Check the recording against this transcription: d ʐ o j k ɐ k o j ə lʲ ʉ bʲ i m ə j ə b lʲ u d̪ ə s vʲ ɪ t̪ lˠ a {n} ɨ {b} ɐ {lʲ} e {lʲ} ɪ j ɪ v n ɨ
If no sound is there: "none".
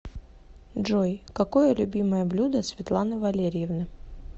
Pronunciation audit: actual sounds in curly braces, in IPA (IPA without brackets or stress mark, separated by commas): n, v, lʲ, ɾʲ